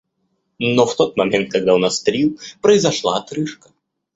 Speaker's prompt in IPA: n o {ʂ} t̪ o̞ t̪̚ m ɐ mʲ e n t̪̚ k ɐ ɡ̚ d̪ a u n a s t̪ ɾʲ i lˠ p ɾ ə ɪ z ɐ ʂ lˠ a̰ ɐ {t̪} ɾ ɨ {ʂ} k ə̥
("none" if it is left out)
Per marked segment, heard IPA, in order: f, t̪, ʂ

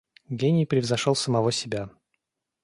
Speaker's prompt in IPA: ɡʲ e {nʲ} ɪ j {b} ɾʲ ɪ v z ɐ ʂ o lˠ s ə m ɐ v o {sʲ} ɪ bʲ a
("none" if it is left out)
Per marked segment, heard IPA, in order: nʲ, p, sʲ

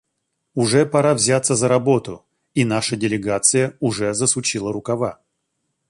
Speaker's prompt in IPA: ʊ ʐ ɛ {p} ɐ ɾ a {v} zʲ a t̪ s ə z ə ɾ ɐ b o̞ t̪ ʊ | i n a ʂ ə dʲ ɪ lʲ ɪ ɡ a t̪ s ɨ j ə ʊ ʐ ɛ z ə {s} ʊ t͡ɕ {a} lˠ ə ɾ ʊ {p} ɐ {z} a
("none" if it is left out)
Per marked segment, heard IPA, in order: p, v, s, i, k, v

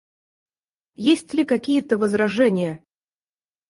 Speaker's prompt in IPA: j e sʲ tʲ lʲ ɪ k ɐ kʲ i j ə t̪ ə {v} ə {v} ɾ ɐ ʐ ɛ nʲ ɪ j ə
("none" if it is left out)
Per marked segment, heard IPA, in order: v, z

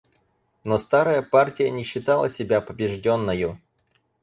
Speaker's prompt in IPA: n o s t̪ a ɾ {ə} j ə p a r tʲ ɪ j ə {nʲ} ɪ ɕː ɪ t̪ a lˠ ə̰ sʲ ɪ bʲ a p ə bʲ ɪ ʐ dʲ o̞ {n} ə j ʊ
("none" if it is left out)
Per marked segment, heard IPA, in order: ə, nʲ, nː

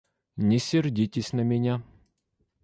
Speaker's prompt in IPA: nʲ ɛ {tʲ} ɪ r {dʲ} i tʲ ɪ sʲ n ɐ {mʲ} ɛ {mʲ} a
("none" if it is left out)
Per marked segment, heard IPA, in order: sʲ, dʲ, mʲ, nʲ

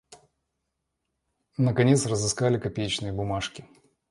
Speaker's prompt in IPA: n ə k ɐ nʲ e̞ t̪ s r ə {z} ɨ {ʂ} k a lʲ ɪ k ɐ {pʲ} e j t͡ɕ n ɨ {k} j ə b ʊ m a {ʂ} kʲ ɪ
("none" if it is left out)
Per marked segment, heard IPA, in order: z, s, pʲ, none, ʂ

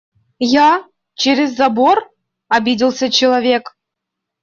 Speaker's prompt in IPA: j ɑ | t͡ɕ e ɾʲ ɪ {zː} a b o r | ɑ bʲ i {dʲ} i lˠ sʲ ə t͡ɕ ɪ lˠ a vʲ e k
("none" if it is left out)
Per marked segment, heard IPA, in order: zː, dʲ

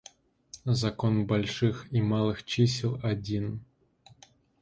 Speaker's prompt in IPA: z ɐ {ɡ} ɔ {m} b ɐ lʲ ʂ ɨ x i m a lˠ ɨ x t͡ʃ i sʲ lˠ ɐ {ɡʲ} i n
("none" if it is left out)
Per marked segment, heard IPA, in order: k, n, dʲ

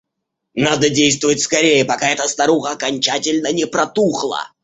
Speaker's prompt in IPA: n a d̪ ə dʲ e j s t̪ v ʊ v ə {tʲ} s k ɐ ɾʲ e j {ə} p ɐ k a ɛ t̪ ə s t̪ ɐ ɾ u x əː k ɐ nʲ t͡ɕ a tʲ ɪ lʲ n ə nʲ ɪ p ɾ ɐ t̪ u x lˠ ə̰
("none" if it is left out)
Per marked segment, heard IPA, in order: tʲ, ə

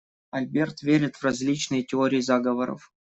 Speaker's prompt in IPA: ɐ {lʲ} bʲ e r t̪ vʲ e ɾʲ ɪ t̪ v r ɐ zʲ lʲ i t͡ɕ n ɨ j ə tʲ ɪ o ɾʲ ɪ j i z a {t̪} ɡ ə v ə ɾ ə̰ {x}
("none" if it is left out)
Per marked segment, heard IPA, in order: lʲ, none, f

